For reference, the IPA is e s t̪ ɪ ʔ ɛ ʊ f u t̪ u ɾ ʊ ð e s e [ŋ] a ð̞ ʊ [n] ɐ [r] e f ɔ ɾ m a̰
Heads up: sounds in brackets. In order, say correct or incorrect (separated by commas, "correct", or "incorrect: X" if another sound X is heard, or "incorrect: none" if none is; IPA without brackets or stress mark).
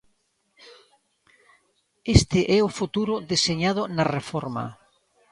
incorrect: ɲ, correct, correct